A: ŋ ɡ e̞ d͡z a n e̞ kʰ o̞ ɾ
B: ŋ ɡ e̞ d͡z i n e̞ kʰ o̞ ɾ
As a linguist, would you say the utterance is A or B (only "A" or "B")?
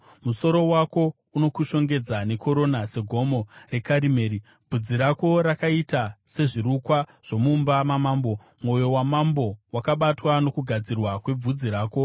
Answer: A